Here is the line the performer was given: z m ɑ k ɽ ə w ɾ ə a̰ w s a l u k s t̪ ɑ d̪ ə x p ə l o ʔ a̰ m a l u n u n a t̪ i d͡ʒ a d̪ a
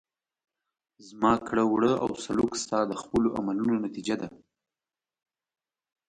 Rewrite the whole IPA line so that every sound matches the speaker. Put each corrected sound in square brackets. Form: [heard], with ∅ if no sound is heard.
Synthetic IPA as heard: z m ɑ k ɽ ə w [ɽ] ə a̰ w s a l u k s t̪ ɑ d̪ ə x p ə l o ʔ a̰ m a l u n [o] n a t̪ i d͡ʒ a d̪ a